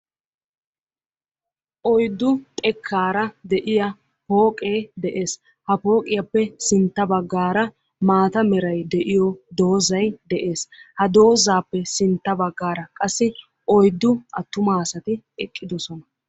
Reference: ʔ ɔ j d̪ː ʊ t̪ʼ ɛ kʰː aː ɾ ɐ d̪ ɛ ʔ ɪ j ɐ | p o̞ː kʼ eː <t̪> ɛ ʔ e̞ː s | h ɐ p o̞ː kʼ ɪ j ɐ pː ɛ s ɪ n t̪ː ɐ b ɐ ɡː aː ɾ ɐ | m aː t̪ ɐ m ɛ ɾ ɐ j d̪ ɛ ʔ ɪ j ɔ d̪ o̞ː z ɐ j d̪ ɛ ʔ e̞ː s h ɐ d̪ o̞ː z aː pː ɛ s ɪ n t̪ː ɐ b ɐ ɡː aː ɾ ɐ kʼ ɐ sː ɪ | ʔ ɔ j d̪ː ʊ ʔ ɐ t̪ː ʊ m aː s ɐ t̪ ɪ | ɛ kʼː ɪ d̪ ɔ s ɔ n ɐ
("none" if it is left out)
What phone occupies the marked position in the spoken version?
d̪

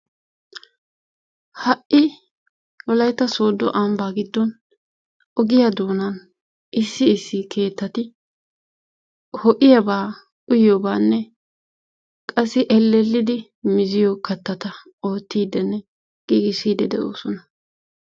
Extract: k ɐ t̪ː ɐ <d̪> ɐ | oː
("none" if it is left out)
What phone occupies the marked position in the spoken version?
t̪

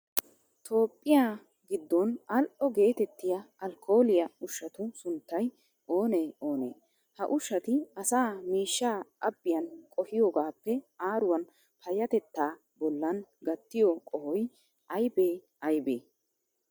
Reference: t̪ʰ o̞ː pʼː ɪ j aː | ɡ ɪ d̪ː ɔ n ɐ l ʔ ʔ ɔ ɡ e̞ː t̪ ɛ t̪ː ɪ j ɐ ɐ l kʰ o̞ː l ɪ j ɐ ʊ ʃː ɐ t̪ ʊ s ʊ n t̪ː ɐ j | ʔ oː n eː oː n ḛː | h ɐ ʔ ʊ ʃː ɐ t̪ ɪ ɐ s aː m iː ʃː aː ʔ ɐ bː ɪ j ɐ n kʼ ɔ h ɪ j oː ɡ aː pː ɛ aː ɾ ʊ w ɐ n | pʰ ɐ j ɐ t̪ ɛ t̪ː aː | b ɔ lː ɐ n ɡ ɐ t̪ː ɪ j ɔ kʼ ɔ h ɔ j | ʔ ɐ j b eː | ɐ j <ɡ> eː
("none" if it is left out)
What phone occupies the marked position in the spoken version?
b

